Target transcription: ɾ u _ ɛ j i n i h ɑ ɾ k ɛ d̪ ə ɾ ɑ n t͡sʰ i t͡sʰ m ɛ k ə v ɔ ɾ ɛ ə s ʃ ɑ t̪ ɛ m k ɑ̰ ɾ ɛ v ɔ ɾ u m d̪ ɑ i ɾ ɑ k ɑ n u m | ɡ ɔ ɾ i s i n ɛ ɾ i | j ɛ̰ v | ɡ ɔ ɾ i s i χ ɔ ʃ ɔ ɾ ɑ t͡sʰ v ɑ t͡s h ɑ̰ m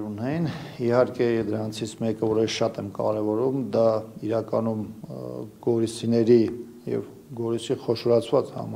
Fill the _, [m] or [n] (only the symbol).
n